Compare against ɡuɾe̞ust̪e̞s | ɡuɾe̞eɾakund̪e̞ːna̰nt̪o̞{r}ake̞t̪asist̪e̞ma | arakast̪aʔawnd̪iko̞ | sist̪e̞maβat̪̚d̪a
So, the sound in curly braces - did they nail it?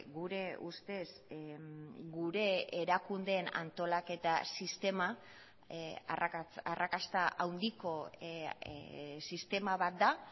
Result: no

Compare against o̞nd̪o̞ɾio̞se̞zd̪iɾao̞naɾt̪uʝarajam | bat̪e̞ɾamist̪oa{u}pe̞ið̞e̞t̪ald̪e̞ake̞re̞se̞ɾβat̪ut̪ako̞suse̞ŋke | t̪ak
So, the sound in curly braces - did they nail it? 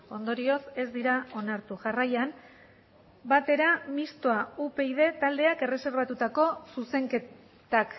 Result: yes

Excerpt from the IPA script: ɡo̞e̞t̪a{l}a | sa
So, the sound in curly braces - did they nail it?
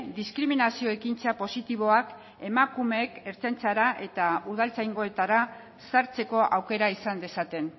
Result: no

